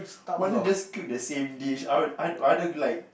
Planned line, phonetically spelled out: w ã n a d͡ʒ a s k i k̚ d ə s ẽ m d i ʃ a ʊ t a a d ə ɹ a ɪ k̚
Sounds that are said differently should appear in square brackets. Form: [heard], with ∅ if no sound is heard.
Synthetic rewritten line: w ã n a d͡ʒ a s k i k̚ d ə s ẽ m d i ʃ a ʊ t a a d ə [l] a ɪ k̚